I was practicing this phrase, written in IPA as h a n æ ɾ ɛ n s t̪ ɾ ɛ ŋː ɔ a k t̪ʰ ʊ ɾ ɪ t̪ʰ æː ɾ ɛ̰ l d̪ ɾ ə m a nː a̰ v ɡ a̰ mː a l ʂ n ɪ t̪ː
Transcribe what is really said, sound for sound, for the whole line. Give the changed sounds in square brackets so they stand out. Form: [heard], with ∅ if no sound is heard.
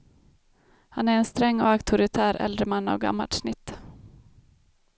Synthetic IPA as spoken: h a n æ ɾ ɛ n s t̪ ɾ ɛ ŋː ɔ a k t̪ʰ ʊ ɾ ɪ t̪ʰ æː ɾ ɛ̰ l d̪ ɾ ə m a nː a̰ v ɡ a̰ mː a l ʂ n ɪ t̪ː